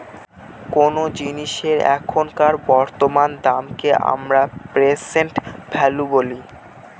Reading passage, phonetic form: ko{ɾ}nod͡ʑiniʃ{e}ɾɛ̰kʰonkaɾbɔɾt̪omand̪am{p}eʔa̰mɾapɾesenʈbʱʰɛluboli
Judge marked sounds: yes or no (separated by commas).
no, yes, no